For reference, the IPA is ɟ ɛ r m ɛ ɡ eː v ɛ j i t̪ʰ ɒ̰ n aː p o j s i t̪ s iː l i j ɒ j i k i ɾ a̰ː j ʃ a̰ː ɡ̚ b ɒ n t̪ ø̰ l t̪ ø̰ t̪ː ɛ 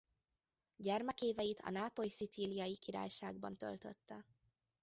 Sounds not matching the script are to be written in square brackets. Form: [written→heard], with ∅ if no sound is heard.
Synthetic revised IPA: ɟ ɛ r m ɛ [ɡ→k] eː v ɛ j i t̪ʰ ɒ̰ n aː p o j s i t̪ s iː l i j ɒ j i k i ɾ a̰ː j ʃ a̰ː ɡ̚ b ɒ n t̪ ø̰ l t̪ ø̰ t̪ː ɛ